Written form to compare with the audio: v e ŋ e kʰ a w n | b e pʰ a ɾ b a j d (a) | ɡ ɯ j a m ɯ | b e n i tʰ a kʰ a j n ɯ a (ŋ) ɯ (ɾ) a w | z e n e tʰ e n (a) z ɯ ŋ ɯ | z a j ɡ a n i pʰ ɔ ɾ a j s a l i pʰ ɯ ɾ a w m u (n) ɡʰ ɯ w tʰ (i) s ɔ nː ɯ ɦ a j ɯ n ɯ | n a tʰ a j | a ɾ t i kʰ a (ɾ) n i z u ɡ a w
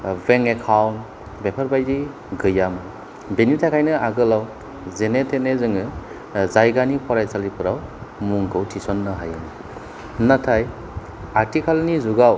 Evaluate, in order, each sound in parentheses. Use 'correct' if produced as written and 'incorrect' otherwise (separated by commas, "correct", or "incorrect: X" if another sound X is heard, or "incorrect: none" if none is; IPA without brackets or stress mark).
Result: incorrect: i, incorrect: ɡ, incorrect: l, incorrect: e, incorrect: ŋ, correct, incorrect: l